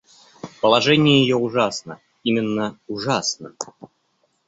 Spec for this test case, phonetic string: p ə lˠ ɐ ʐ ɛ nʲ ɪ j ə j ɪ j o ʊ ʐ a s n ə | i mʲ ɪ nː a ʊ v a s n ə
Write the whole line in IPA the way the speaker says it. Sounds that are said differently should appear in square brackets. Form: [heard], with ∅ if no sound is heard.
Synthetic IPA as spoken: p ə lˠ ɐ ʐ ɛ nʲ ɪ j ə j ɪ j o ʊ ʐ a s n ə | i mʲ ɪ nː [ə] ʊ [ʐ] a s n ə